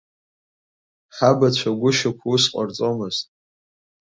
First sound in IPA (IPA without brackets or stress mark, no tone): ħ